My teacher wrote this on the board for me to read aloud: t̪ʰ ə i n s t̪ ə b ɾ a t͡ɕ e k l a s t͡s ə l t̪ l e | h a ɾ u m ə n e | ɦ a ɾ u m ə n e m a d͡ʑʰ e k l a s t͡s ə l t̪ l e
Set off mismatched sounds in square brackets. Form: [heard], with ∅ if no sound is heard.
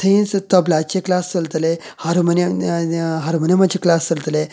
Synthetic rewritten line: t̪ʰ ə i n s t̪ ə b [l] a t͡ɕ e k l a s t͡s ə l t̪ l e | h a ɾ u m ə n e | ɦ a ɾ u m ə n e m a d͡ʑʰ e k l a s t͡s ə l t̪ l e